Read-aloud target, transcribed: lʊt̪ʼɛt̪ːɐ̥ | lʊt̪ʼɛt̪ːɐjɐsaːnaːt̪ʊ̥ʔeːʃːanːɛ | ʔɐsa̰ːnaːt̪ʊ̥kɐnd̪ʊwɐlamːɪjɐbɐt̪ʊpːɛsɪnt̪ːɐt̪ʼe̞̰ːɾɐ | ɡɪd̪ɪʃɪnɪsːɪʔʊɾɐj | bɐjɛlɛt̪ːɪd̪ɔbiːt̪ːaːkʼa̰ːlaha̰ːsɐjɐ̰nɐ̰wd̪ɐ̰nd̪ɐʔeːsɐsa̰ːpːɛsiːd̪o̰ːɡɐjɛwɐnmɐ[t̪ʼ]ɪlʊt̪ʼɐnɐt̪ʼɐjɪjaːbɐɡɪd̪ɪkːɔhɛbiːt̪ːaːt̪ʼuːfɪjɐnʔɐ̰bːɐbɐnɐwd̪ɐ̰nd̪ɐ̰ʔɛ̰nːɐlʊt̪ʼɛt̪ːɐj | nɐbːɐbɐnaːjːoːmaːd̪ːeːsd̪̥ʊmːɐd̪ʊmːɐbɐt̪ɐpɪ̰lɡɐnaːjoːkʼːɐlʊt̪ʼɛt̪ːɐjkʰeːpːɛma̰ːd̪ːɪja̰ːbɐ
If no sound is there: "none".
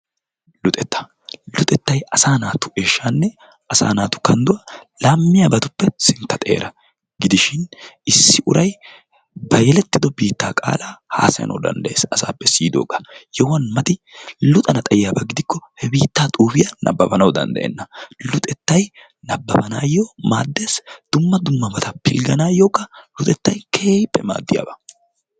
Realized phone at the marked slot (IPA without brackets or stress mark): t̪